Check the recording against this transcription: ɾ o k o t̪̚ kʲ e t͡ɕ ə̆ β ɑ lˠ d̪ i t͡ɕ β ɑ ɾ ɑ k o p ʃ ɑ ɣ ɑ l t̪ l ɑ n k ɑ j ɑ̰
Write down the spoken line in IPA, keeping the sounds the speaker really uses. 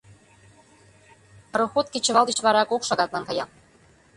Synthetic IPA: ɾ o x o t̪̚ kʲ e t͡ɕ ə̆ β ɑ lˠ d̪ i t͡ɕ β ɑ ɾ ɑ k o k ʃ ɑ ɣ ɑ t̪ l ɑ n k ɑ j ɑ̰